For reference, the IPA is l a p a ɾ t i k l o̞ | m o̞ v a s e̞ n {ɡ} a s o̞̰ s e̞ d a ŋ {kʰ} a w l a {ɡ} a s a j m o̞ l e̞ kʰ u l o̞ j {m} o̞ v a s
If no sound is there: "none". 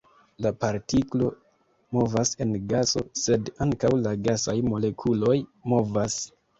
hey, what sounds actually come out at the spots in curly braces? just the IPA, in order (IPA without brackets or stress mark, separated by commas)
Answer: ɡ, k, ɡ, m